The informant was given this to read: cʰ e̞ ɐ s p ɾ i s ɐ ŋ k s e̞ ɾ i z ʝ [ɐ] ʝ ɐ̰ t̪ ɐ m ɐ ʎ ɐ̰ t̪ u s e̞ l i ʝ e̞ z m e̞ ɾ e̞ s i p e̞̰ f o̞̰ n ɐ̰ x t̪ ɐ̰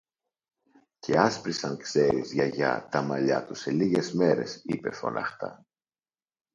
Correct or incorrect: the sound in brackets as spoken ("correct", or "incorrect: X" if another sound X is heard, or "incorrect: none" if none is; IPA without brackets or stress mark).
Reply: correct